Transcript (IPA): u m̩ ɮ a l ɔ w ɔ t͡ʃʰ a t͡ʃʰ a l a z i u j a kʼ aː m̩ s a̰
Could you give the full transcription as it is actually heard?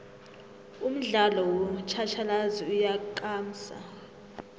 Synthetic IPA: u m̩ ɮ a l ɔ w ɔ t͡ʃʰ a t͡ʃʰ a l a z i u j a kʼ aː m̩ s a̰